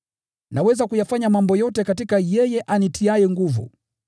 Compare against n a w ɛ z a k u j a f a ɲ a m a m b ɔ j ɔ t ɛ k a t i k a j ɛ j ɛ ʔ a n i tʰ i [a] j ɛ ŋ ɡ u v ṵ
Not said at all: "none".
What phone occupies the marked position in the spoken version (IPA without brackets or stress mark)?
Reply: a